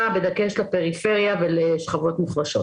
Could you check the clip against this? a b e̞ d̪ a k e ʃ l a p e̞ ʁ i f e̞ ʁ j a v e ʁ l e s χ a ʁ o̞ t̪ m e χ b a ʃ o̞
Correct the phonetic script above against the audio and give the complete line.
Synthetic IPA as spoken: a b e̞ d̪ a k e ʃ l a p e̞ ʁ i f e̞ ʁ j a v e l e ʃ χ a v o̞ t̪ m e χ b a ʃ o̞